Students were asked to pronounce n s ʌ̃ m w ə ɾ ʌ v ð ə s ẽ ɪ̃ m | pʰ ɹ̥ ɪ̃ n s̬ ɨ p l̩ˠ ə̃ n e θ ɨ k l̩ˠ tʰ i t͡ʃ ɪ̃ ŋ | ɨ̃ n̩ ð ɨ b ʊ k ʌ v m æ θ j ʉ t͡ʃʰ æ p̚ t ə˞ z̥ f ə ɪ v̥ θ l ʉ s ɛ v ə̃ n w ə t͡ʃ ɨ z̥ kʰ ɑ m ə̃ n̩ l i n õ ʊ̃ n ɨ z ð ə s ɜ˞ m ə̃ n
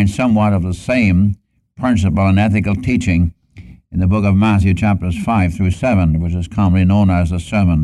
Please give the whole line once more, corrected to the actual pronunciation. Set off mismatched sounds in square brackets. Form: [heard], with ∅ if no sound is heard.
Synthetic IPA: n s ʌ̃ m w [ʌ] ɾ ʌ v ð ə s ẽ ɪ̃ m | pʰ ɹ̥ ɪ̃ n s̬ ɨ p l̩ˠ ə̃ n [ɛ] θ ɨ k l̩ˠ tʰ i t͡ʃ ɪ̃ ŋ | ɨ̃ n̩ ð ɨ b ʊ k ʌ v m æ θ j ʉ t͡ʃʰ æ p̚ t ə˞ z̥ f [a] ɪ v̥ θ [ɹ] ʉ s ɛ v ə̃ n w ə t͡ʃ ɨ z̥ kʰ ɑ m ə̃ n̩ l i n õ ʊ̃ n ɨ z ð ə s ɜ˞ m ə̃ n